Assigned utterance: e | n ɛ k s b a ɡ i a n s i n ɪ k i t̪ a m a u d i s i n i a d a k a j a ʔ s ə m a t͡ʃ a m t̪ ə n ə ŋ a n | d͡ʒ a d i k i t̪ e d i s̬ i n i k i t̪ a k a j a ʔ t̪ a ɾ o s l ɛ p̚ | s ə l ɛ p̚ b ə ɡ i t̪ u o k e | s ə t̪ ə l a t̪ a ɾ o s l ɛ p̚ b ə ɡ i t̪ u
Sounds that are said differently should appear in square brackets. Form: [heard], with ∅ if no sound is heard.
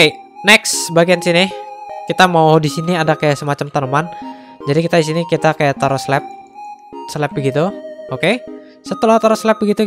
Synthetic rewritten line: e | n ɛ k s b a ɡ i a n s i n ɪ k i t̪ a m a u d i s i n i a d a k a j a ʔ s ə m a t͡ʃ a m t̪ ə n ə [m] a n | d͡ʒ a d i k i t̪ [a] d i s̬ i n i k i t̪ a k a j a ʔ t̪ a ɾ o s l ɛ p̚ | s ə l ɛ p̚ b ə ɡ i t̪ u o k e | s ə t̪ ə l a t̪ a ɾ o s l ɛ p̚ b ə ɡ i t̪ u